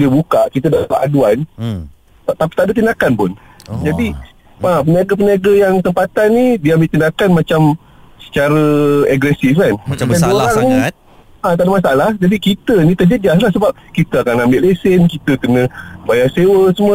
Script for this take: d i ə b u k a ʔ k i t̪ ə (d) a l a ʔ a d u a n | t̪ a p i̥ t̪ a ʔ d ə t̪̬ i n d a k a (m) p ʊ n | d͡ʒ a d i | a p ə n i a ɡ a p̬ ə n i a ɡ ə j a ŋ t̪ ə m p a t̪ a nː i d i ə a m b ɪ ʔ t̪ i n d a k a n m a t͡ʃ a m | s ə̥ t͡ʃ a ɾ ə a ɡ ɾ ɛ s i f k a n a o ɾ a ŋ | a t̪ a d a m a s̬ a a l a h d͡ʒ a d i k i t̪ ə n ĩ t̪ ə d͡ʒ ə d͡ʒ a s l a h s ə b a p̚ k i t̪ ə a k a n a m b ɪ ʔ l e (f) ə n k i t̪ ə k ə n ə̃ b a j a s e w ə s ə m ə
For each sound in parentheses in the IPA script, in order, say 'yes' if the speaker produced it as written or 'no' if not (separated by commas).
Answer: yes, no, no